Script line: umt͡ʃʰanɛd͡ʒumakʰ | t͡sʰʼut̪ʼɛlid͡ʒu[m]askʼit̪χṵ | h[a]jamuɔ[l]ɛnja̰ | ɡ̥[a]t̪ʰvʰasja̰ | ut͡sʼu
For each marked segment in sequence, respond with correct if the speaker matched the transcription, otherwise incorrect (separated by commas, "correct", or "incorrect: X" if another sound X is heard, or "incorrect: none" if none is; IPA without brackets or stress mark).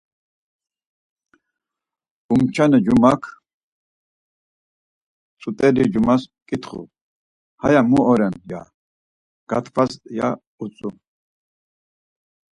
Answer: correct, correct, incorrect: ɾ, correct